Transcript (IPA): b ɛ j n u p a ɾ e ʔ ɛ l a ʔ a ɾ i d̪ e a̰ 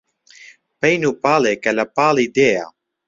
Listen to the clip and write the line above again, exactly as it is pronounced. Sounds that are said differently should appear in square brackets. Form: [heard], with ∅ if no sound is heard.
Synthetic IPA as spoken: [p] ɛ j n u p a [l] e [k] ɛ l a [p] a [l] i d̪ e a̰